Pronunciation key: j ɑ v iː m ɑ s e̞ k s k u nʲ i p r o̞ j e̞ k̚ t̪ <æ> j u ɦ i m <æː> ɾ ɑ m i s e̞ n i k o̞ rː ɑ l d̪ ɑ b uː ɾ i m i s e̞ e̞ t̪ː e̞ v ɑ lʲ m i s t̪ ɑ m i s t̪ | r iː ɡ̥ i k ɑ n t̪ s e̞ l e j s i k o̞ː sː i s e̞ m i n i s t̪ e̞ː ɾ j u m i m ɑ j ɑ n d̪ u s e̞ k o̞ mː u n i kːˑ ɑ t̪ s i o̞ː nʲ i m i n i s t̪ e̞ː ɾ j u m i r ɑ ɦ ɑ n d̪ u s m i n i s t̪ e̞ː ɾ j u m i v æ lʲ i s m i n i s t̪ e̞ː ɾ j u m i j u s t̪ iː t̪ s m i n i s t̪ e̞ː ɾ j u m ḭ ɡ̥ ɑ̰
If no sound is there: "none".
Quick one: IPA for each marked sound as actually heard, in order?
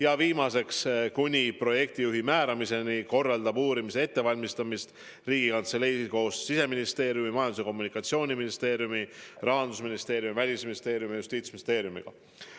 i, æː

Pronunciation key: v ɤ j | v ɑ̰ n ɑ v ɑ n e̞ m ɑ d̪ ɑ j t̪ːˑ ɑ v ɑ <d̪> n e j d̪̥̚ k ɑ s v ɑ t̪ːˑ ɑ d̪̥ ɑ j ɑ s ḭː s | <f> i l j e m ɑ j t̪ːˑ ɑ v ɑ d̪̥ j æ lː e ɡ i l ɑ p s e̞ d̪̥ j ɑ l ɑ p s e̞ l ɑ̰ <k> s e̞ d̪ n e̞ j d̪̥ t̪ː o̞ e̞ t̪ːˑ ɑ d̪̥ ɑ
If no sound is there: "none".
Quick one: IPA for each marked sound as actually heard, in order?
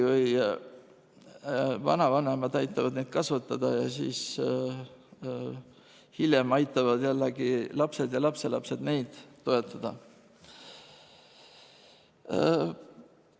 d̪, h, p

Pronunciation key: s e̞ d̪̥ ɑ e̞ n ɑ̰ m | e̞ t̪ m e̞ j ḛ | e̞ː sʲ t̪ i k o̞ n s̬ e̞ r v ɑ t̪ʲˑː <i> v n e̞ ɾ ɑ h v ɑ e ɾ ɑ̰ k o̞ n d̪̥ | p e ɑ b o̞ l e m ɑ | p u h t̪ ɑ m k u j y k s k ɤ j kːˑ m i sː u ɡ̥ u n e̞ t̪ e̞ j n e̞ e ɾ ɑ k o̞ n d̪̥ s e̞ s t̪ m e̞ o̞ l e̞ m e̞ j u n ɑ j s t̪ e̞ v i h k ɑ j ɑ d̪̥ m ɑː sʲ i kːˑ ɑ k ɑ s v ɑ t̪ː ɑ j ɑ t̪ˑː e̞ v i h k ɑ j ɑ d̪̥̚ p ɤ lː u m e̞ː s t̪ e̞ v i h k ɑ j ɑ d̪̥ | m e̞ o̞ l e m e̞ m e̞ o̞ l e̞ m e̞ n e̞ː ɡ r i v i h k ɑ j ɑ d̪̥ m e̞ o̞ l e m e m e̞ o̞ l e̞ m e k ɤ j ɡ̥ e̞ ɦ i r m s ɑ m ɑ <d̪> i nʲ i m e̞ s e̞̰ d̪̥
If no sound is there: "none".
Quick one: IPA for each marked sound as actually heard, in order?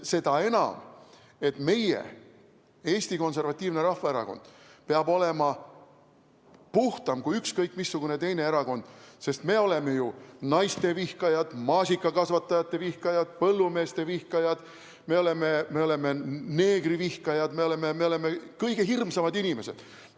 iː, d̪

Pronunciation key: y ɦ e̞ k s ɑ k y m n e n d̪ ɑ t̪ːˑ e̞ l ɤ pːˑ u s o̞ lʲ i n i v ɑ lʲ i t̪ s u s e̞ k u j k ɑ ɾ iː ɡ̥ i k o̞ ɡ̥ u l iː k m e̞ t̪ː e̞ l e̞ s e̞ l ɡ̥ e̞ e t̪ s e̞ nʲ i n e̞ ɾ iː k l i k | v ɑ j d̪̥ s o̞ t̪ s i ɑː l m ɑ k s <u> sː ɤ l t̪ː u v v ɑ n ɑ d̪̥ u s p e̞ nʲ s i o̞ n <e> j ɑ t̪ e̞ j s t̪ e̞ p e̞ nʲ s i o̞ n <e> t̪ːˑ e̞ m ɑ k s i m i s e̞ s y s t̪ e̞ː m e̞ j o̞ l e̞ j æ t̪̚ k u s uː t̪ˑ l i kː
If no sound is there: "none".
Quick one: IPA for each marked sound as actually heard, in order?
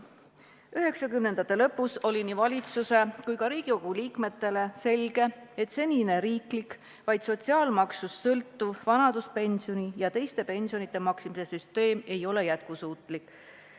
u, i, i

